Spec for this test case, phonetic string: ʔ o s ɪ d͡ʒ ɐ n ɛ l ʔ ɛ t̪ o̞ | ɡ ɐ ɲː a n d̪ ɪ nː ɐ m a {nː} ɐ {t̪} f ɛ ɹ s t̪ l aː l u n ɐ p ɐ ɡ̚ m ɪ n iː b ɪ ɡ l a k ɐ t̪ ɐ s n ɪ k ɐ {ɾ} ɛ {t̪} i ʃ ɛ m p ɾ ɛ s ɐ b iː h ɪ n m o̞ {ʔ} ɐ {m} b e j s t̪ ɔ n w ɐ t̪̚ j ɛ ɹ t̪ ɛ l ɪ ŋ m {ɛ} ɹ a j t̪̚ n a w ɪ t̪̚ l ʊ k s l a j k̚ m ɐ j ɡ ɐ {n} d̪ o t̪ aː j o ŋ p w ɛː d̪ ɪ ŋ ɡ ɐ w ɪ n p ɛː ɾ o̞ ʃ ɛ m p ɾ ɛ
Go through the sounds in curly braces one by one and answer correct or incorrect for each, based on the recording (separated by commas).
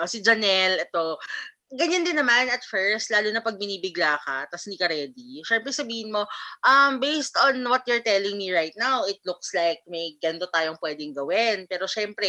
incorrect, correct, correct, incorrect, correct, correct, incorrect, correct